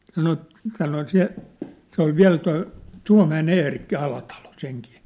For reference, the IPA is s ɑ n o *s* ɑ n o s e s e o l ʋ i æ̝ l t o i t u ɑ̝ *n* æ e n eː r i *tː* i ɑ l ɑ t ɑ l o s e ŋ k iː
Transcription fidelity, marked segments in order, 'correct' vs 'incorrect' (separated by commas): correct, incorrect, incorrect